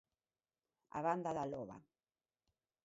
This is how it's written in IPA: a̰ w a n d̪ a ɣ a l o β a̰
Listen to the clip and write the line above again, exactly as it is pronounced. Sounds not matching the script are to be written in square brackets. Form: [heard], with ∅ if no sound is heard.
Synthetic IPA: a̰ [β] a n d̪ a [ð] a l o β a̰